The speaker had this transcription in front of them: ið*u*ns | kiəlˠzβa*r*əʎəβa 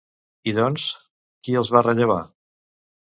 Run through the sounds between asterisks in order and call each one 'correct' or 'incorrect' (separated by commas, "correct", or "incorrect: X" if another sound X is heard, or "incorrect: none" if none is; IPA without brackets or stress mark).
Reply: incorrect: ɔ, correct